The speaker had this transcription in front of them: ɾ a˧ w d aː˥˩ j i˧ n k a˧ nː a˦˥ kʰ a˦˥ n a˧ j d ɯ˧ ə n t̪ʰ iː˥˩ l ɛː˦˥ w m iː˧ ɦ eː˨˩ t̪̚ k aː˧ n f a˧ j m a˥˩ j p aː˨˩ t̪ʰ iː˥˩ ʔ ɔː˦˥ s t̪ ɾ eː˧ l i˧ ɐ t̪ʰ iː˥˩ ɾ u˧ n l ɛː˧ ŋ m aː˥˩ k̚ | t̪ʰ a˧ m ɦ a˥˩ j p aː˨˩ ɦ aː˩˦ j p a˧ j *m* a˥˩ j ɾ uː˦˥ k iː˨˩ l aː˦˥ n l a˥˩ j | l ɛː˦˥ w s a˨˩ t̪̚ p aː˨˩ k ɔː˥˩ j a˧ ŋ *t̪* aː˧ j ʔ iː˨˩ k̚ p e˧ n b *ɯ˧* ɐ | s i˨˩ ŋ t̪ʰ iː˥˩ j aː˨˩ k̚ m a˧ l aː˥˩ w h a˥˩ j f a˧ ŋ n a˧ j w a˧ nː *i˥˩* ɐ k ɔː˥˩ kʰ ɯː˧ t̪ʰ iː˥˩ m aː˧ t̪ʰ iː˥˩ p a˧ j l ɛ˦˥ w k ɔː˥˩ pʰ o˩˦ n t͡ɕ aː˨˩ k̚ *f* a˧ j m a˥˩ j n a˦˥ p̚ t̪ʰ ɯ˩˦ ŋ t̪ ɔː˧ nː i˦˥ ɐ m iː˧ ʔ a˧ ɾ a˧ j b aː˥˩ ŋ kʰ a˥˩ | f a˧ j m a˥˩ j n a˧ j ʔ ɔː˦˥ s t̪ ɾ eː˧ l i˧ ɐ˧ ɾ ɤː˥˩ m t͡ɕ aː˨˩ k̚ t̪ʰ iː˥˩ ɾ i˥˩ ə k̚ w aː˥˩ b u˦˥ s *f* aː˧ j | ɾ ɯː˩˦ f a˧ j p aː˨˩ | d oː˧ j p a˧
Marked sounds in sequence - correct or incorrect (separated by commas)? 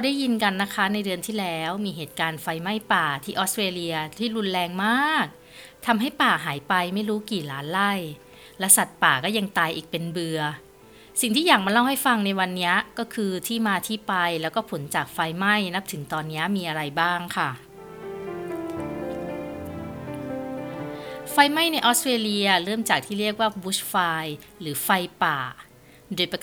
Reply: correct, correct, correct, incorrect, correct, correct